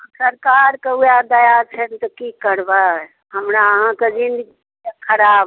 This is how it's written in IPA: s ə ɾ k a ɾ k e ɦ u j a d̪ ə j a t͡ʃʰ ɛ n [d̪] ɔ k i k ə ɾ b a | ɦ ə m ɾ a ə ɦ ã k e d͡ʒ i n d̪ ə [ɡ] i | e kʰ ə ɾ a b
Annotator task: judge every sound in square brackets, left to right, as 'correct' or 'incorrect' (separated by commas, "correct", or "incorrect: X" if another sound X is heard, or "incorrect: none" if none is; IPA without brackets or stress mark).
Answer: incorrect: t̪, correct